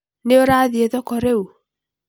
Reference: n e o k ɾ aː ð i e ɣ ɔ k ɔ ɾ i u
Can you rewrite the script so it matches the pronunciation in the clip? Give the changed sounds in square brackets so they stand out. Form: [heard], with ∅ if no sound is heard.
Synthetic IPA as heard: n e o [∅] ɾ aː ð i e [ð] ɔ k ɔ ɾ [e] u